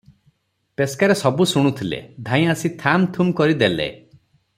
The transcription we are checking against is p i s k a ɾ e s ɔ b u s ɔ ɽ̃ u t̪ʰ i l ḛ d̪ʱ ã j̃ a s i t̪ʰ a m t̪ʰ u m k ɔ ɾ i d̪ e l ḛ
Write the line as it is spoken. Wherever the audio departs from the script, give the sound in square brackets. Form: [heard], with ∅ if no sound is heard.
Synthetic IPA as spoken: p [e] s k a ɾ e s ɔ b u s [u] ɽ̃ u t̪ʰ i l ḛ d̪ʱ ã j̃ a s i t̪ʰ a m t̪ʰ u m k ɔ ɾ i d̪ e l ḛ